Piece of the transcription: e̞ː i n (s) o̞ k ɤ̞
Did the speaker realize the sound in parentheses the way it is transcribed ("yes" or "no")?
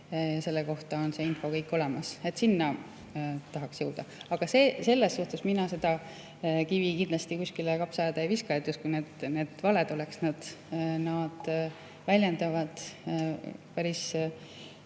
no